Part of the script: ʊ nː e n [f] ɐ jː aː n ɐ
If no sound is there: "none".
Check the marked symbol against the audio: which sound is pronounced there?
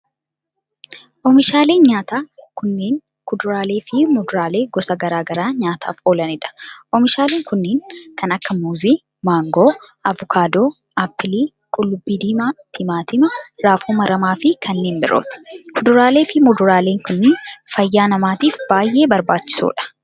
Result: f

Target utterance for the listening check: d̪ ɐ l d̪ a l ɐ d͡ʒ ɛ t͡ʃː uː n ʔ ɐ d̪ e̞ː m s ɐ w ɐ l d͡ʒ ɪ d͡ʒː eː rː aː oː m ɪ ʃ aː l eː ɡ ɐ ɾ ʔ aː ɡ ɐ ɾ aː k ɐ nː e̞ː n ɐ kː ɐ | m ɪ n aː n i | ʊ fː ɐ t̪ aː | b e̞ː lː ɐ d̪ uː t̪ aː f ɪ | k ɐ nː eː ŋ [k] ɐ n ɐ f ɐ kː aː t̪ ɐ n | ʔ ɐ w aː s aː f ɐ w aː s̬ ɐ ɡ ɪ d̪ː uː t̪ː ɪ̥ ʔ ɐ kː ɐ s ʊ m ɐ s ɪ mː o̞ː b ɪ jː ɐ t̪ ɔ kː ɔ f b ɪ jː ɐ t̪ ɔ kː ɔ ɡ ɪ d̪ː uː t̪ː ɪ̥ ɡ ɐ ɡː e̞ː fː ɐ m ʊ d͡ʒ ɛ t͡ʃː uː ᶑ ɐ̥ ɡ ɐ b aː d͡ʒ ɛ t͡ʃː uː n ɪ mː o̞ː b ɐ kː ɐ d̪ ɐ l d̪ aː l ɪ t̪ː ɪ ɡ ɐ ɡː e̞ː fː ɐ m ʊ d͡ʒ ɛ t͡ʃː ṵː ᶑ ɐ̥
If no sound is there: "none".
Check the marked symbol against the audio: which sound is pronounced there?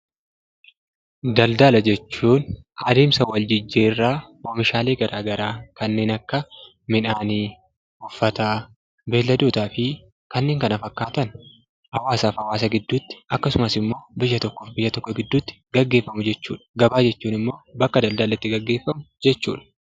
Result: k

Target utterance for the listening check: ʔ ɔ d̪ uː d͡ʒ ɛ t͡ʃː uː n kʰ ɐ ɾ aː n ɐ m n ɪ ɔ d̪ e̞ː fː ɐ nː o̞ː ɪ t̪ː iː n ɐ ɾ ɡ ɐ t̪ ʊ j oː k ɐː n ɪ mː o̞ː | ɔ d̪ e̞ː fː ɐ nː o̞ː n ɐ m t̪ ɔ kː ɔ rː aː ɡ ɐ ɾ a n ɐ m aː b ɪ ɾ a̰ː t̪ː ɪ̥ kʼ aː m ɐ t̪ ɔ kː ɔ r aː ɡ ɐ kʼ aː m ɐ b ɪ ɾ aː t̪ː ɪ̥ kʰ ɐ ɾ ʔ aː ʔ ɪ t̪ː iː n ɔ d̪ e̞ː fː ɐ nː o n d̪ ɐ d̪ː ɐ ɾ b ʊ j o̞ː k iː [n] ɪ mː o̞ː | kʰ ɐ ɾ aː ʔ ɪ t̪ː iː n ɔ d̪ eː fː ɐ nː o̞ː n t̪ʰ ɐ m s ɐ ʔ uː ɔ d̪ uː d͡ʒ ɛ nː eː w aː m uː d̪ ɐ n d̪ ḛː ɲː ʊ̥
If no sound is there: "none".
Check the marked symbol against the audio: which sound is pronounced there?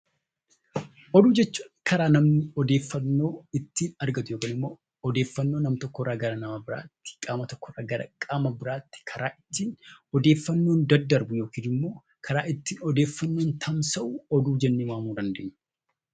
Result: n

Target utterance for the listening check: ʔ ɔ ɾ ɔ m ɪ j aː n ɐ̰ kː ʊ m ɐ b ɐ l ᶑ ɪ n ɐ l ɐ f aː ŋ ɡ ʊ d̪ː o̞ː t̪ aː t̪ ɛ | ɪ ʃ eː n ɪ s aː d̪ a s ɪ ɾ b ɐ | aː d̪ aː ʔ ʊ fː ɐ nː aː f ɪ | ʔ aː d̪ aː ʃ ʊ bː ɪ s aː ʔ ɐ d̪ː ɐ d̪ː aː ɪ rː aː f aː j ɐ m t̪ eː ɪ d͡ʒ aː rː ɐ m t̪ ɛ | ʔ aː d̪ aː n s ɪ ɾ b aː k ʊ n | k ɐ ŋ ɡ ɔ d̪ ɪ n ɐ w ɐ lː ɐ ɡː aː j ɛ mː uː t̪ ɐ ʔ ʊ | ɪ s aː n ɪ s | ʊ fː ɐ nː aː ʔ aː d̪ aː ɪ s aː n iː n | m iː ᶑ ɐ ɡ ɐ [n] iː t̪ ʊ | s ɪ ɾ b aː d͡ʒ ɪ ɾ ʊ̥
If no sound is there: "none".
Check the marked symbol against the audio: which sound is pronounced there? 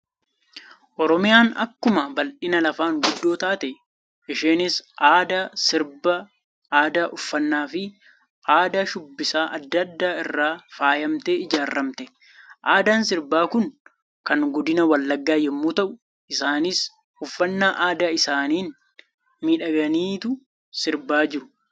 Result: n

